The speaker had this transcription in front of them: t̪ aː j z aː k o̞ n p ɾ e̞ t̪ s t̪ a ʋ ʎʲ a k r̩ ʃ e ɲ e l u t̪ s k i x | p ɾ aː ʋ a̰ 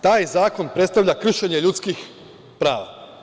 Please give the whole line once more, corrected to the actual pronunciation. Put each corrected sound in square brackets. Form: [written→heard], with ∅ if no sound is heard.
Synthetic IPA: t̪ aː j z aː k o̞ n p ɾ e̞ t̪ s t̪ a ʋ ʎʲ a k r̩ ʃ e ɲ e [l→ʎ] u t̪ s k i x | p ɾ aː ʋ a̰